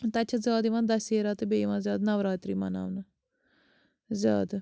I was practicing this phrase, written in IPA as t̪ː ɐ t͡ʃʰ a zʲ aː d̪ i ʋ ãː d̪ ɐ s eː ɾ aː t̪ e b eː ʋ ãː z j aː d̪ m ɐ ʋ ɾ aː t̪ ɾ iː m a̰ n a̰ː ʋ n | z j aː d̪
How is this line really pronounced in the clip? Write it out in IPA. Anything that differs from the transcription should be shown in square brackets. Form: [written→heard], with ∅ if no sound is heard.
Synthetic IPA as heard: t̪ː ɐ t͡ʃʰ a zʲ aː d̪ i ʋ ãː d̪ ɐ s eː ɾ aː t̪ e b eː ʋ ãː z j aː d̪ [m→n] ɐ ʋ ɾ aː t̪ ɾ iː m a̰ n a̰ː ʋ n | z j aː d̪